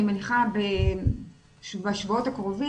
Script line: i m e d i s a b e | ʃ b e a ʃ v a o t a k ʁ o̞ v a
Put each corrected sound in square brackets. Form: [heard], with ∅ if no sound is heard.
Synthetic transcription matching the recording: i m e [n] i [χ] a b e | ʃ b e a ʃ v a o t a k ʁ o̞ v [i]